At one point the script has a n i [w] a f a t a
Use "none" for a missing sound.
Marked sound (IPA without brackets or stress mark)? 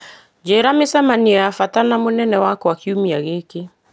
none